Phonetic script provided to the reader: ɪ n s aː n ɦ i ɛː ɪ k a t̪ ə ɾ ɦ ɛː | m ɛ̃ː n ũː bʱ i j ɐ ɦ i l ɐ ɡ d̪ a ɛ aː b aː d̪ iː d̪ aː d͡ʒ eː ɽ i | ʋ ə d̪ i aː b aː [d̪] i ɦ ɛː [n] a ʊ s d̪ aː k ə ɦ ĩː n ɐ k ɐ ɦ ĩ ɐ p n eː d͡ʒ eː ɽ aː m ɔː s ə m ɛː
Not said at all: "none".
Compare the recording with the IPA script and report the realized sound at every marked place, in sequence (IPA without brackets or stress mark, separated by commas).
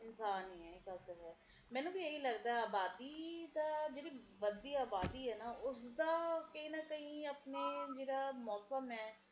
d̪, n